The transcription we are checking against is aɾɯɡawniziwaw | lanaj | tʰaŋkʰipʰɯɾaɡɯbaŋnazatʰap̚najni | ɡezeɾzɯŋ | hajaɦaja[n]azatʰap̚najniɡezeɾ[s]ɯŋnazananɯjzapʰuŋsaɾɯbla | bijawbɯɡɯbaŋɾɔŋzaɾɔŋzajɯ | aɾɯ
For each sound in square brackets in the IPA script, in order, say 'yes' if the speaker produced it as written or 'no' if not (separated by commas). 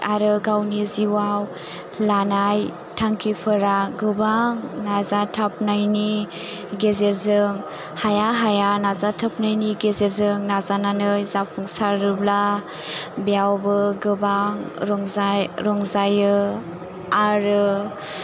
yes, no